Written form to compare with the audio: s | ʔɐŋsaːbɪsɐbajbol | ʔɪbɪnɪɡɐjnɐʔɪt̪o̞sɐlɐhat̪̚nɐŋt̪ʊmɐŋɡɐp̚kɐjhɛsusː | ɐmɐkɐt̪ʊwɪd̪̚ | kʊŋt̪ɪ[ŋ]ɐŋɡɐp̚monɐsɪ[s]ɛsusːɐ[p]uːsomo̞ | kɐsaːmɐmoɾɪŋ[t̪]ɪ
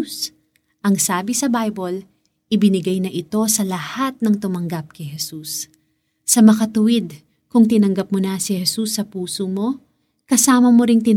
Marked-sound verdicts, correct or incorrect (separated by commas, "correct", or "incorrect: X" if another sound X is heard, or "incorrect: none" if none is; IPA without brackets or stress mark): incorrect: n, incorrect: h, correct, correct